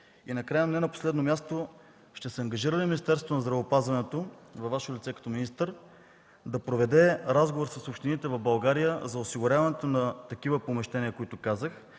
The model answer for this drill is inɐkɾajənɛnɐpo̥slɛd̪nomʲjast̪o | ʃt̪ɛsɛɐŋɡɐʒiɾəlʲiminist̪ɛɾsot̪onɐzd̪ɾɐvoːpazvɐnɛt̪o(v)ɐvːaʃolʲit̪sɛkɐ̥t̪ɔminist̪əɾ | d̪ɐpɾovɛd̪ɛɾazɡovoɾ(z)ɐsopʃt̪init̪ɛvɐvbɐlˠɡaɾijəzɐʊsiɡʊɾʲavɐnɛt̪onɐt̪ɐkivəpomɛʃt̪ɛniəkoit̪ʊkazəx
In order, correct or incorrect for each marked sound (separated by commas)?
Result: correct, incorrect